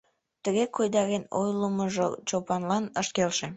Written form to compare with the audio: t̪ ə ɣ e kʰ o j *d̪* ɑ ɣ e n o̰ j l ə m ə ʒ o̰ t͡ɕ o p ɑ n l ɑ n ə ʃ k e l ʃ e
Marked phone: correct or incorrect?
correct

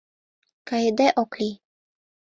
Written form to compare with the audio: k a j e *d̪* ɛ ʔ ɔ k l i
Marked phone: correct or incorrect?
correct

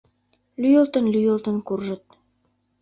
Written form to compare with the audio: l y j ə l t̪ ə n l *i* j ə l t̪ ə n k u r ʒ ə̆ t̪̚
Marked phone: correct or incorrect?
incorrect: y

